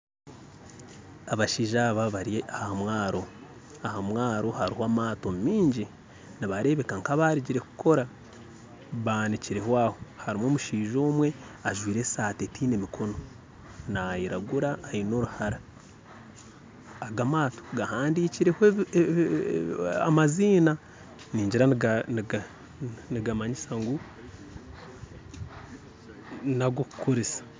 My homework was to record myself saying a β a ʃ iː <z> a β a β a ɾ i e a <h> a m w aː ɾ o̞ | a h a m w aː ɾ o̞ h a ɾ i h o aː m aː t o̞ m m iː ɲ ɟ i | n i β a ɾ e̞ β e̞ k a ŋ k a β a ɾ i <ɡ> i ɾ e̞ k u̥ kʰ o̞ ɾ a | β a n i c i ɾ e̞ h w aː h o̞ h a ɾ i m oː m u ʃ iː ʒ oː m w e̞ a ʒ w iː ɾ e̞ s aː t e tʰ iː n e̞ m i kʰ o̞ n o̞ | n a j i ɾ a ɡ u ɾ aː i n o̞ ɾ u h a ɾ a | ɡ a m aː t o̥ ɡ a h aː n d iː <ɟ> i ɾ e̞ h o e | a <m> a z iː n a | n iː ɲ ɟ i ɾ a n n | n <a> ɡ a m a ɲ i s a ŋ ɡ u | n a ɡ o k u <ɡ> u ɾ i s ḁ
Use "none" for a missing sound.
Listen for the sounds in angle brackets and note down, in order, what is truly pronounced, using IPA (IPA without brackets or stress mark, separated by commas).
ʒ, h, ɟ, c, m, i, k